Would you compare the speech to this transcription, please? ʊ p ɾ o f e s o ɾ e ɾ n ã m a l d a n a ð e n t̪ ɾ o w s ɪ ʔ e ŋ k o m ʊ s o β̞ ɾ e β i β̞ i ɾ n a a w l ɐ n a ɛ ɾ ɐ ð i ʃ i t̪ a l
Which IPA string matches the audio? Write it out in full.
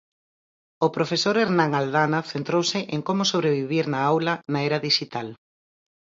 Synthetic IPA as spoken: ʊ p ɾ o f e s o ɾ e ɾ n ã ŋ a l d a n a θ e n t̪ ɾ o w s ɪ ʔ e ŋ k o m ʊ s o β̞ ɾ e β i β̞ i ɾ n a a w l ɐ n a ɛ ɾ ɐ ð i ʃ i t̪ a l